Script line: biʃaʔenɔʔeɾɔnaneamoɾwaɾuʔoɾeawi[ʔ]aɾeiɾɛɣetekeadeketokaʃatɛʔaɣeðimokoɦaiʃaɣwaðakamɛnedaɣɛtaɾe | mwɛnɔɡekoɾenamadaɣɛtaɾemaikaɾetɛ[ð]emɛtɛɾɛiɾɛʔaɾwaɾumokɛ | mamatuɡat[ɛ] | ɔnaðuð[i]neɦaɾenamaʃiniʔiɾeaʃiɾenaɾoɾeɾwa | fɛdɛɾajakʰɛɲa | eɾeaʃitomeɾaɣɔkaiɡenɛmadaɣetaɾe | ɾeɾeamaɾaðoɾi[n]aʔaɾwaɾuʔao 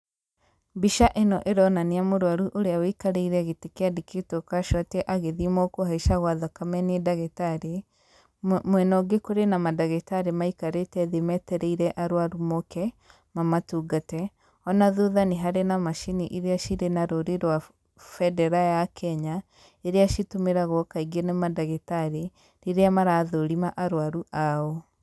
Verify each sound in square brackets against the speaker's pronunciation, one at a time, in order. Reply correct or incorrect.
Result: incorrect, correct, correct, incorrect, incorrect

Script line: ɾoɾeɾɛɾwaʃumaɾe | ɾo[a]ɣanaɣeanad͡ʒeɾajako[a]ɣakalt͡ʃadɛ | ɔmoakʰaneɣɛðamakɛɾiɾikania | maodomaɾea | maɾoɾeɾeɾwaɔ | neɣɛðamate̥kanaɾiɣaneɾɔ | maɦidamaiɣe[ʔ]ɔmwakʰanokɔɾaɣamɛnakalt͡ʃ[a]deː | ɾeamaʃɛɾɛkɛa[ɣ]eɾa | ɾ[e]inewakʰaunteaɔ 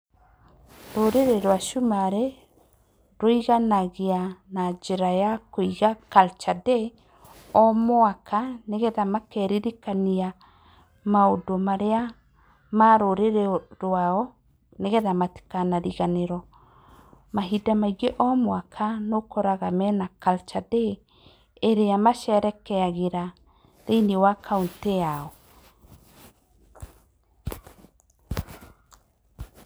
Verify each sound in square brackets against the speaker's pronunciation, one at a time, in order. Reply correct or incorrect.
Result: incorrect, incorrect, correct, correct, correct, correct

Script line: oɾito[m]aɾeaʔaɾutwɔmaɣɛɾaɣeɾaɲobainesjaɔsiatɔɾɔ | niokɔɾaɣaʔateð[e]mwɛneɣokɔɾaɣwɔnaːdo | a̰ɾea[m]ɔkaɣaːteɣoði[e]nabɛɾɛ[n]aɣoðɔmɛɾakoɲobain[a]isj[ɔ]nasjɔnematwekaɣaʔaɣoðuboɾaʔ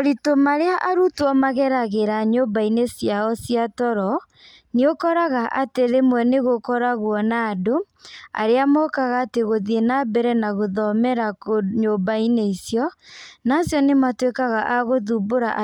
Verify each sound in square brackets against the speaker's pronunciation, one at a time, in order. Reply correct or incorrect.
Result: correct, correct, correct, correct, correct, incorrect, correct

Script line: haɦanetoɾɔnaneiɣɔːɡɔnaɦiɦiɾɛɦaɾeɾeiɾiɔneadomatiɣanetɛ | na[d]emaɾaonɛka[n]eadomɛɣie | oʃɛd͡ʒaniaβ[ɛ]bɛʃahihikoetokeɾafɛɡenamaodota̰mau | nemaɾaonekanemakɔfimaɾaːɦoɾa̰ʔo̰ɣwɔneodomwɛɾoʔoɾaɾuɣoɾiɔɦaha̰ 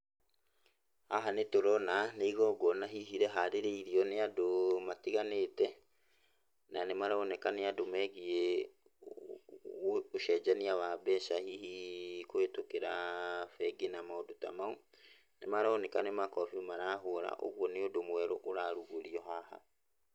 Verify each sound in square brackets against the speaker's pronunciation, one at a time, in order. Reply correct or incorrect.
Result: incorrect, correct, incorrect

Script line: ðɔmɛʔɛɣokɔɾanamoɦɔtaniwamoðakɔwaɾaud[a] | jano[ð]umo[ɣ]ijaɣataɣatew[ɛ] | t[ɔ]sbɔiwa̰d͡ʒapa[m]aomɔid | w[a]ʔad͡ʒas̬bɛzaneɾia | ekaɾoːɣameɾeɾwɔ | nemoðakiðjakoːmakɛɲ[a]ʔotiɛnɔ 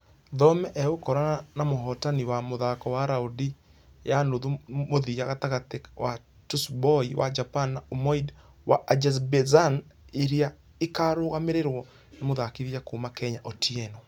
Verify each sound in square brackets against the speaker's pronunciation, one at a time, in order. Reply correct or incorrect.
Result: incorrect, correct, incorrect, incorrect, incorrect, incorrect, correct, correct

